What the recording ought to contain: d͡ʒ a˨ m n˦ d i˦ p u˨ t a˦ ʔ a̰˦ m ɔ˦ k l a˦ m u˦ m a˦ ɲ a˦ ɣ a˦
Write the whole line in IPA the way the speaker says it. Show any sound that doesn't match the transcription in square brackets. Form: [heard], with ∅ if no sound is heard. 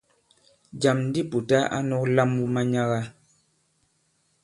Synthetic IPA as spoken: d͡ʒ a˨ m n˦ d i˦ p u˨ t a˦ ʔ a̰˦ [n] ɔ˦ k l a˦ m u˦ m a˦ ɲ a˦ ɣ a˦